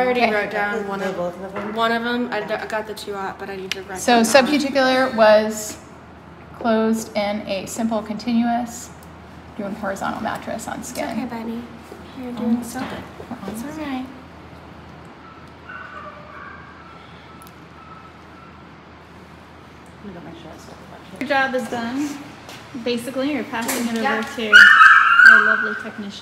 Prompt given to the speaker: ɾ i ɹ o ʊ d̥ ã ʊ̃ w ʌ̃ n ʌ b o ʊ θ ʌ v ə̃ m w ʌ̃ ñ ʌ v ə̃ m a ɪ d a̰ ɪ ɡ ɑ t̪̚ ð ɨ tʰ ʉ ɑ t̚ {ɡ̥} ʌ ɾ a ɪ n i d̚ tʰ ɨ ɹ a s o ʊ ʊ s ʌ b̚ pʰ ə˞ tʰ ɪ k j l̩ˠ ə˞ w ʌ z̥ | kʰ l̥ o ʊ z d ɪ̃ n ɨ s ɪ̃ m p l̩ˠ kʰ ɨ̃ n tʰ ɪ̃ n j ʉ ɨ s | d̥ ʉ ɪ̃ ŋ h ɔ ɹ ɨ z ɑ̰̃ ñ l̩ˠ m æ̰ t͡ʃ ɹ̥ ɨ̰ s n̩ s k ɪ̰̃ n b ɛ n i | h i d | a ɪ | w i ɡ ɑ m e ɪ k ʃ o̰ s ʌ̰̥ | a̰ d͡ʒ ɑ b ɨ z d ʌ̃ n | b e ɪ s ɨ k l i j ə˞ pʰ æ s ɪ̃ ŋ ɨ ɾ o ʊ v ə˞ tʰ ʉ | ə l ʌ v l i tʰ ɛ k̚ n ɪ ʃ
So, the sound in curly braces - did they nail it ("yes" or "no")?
no